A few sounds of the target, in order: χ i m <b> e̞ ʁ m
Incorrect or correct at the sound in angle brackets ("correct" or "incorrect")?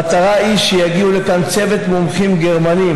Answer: incorrect